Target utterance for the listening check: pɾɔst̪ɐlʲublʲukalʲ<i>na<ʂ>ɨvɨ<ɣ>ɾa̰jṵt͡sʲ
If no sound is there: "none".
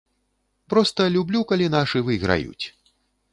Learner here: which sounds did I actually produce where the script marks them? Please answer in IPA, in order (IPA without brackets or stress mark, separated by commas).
i, ʂ, ɣ